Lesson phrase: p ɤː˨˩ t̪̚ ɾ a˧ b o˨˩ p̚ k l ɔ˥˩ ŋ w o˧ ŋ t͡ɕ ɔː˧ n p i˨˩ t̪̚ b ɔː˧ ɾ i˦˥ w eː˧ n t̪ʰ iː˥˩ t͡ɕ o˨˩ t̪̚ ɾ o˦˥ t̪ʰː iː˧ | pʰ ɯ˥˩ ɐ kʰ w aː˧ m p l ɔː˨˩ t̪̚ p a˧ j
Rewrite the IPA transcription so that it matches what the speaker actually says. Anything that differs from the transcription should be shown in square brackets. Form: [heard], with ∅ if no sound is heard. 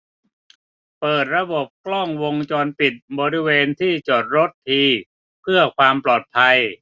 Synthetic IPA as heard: p ɤː˨˩ t̪̚ ɾ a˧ b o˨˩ p̚ k l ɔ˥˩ ŋ w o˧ ŋ t͡ɕ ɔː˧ n p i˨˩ t̪̚ b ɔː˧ ɾ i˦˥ w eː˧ n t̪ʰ iː˥˩ t͡ɕ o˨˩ t̪̚ ɾ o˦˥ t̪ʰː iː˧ | pʰ ɯ˥˩ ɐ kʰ w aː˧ m p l ɔː˨˩ t̪̚ [pʰ] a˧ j